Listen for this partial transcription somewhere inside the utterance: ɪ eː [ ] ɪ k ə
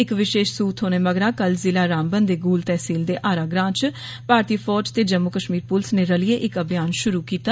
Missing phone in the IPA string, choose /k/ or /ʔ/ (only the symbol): ʔ